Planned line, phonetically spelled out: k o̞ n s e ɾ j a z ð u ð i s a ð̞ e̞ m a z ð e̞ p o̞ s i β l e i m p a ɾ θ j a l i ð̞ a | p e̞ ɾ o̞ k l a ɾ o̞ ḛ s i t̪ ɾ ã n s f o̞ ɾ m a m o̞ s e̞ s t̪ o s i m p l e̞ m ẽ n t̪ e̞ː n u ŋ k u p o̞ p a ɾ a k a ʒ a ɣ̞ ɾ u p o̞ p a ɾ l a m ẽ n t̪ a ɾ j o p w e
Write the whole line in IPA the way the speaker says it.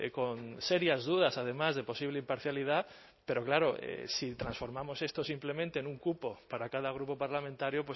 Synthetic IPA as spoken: k o̞ n s e ɾ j a z ð u ð a s a ð̞ e̞ m a z ð e̞ p o̞ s i β l e i m p a ɾ θ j a l i ð̞ a | p e̞ ɾ o̞ k l a ɾ o̞ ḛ s i t̪ ɾ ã n s f o̞ ɾ m a m o̞ s e̞ s t̪ o s i m p l e̞ m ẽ n t̪ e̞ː n u ŋ k u p o̞ p a ɾ a k a ð a ɣ̞ ɾ u p o̞ p a ɾ l a m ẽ n t̪ a ɾ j o p w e